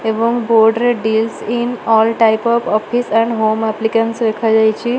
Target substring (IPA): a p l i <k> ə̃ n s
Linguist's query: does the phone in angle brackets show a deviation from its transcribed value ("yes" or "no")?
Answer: no